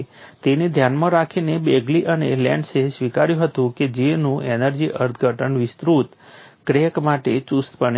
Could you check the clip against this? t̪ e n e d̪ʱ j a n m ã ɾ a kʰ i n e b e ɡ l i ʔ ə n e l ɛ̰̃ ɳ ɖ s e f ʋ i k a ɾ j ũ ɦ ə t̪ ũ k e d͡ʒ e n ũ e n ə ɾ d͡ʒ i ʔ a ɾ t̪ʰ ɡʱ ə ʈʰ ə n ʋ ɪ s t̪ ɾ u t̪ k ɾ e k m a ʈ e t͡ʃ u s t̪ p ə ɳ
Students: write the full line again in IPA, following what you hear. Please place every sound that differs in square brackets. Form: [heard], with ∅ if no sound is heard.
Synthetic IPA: t̪ e n e d̪ʱ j a n m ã ɾ a kʰ i n e b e ɡ l i ʔ ə n e l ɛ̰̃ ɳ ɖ s e [s] ʋ i k a ɾ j ũ ɦ ə t̪ ũ k e d͡ʒ e n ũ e n ə ɾ d͡ʒ i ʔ [ə] ɾ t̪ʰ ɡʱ ə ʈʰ ə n ʋ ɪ s t̪ ɾ u t̪ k ɾ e k m a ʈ e t͡ʃ u s t̪ p ə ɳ